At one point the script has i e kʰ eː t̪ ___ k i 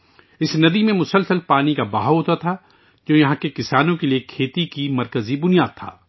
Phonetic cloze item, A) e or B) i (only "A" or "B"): B